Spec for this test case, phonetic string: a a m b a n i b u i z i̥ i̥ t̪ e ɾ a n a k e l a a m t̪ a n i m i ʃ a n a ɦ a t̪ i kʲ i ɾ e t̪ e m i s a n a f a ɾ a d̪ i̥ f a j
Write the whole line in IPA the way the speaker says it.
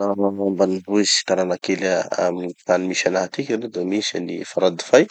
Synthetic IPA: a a m b a n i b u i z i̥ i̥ t̪ a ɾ a n a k e l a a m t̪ a n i m i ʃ a n a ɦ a t̪ i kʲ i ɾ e d̪ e m i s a n i f a ɾ a d̪ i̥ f a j